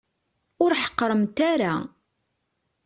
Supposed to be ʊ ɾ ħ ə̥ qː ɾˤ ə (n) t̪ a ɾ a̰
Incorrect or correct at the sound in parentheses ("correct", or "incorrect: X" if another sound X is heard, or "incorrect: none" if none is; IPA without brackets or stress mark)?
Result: incorrect: m